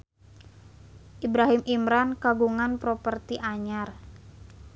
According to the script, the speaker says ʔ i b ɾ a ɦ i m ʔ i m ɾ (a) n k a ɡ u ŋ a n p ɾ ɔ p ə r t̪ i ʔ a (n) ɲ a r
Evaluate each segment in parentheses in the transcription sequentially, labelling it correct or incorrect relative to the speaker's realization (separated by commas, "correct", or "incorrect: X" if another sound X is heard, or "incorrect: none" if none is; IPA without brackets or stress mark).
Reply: correct, incorrect: none